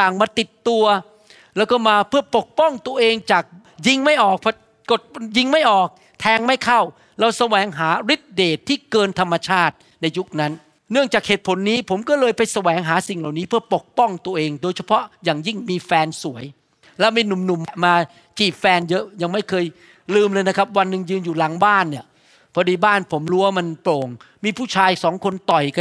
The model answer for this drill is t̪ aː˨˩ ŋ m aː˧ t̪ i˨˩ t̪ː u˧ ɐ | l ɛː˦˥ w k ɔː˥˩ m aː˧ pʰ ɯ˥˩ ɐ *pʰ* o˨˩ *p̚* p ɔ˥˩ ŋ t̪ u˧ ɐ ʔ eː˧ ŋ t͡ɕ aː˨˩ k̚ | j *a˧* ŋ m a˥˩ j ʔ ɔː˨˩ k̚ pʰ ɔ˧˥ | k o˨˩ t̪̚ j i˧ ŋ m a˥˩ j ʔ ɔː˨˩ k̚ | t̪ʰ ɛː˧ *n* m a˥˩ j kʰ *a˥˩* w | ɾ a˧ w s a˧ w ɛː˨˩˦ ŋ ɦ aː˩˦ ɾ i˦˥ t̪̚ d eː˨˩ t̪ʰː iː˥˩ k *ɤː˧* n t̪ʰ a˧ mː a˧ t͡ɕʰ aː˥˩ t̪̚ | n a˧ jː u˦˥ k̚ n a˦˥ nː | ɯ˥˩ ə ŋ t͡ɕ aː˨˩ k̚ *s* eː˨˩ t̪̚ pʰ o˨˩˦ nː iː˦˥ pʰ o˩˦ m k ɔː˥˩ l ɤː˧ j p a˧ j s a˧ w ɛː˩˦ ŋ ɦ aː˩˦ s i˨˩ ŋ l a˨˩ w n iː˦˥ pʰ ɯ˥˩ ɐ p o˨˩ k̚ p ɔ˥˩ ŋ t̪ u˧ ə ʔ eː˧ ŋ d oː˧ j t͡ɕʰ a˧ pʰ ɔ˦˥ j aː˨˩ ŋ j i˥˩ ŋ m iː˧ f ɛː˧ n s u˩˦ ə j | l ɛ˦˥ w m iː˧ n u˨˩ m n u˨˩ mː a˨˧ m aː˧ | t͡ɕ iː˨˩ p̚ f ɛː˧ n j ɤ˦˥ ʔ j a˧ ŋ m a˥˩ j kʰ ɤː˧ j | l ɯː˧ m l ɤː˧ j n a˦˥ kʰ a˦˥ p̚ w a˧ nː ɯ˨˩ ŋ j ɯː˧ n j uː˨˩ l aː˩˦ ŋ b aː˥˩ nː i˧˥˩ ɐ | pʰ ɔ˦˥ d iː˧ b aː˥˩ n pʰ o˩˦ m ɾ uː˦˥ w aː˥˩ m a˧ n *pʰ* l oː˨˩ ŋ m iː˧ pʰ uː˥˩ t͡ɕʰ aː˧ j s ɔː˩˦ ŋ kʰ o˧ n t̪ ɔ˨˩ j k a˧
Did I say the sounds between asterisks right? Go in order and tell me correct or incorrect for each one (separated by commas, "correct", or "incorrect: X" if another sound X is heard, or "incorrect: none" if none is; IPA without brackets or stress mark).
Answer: incorrect: p, incorrect: k̚, incorrect: i˧, incorrect: ŋ, correct, correct, incorrect: h, incorrect: p